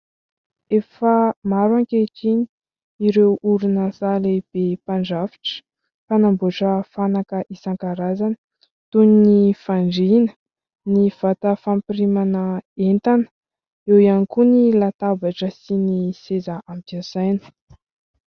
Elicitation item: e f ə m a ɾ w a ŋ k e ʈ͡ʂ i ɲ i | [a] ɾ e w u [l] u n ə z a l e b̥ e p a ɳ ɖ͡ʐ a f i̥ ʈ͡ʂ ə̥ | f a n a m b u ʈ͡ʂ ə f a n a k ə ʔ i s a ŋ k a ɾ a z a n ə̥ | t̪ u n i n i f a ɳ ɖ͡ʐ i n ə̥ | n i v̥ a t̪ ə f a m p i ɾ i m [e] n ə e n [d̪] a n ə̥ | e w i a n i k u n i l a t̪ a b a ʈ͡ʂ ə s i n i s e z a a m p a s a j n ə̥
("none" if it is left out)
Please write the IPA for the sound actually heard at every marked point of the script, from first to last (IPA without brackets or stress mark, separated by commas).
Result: i, ɾ, a, t̪